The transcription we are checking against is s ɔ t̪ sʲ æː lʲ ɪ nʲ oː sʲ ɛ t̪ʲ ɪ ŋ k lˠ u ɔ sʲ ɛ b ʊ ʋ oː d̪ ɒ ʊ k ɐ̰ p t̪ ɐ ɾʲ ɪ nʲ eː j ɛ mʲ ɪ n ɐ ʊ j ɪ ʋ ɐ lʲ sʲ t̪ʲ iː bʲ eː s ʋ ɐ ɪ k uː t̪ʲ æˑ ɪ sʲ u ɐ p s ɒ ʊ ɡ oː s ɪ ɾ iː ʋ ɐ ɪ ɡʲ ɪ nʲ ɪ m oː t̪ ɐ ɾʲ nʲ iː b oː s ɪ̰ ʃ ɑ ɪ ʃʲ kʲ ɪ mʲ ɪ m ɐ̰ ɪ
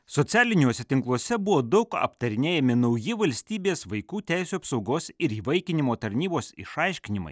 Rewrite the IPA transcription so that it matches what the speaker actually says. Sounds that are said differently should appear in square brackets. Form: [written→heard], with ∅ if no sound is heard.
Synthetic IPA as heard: s ɔ t̪ sʲ æː lʲ ɪ nʲ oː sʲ ɛ t̪ʲ ɪ ŋ k lˠ u ɔ sʲ ɛ b ʊ ʋ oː d̪ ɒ ʊ k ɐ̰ p t̪ ɐ ɾʲ ɪ nʲ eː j ɛ mʲ ɪ n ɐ ʊ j ɪ ʋ ɐ lʲ sʲ t̪ʲ iː bʲ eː s ʋ ɐ ɪ k uː t̪ʲ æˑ ɪ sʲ u ɐ p s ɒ ʊ ɡ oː s ɪ ɾ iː ʋ ɐ ɪ [ɡʲ→kʲ] ɪ nʲ ɪ m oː t̪ ɐ ɾʲ nʲ iː b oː s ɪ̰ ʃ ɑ ɪ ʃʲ kʲ ɪ [mʲ→nʲ] ɪ m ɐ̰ ɪ

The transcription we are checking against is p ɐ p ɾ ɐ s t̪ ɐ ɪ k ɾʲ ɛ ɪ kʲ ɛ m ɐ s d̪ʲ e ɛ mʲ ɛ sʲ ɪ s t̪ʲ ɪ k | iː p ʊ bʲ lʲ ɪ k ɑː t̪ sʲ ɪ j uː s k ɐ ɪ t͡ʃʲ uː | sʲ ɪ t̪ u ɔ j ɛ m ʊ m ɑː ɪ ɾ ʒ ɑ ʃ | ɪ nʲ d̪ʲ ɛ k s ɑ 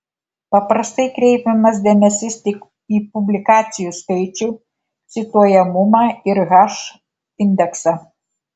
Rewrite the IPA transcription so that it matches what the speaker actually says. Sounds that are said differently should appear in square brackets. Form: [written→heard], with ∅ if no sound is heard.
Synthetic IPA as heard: p ɐ p ɾ ɐ s t̪ ɐ ɪ k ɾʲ ɛ ɪ [kʲ→pʲ] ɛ m ɐ s d̪ʲ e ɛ mʲ ɛ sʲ ɪ s t̪ʲ ɪ k | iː p ʊ bʲ lʲ ɪ k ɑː t̪ sʲ ɪ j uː s k ɐ ɪ t͡ʃʲ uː | sʲ ɪ t̪ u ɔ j ɛ m ʊ m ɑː ɪ ɾ [ʒ→ɣ] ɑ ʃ | ɪ nʲ d̪ʲ ɛ k s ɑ

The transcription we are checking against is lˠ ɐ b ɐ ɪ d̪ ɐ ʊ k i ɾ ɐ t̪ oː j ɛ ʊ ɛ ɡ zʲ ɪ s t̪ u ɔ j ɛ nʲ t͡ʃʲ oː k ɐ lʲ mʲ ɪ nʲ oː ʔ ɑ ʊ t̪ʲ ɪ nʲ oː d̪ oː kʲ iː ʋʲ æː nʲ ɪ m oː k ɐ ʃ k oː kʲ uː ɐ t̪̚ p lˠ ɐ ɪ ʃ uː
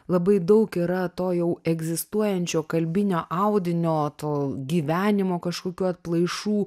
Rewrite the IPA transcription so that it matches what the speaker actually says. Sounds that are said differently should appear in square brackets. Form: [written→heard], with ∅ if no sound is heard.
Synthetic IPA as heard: lˠ ɐ b ɐ ɪ d̪ ɐ ʊ k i ɾ ɐ t̪ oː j ɛ ʊ ɛ ɡ zʲ ɪ s t̪ u ɔ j ɛ nʲ t͡ʃʲ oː k ɐ lʲ [mʲ→bʲ] ɪ nʲ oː ʔ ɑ ʊ [t̪ʲ→d̪ʲ] ɪ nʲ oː [d̪→t̪] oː [kʲ→ɡʲ] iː ʋʲ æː nʲ ɪ m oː k ɐ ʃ k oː kʲ uː ɐ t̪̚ p lˠ ɐ ɪ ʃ uː

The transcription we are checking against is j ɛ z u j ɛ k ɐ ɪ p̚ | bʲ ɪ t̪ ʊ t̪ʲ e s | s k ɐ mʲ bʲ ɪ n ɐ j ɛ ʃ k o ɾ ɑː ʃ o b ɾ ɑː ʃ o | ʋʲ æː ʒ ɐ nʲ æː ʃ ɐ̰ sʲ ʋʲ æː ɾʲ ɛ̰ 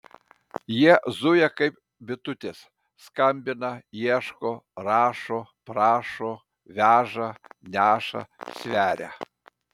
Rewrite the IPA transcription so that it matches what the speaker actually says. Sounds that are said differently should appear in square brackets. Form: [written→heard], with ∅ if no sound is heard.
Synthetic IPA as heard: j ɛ z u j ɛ k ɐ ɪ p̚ | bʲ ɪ t̪ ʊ t̪ʲ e s | s k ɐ mʲ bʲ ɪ n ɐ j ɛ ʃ k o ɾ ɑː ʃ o [b→p] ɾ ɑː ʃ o | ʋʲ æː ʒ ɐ nʲ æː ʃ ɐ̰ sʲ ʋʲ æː ɾʲ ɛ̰

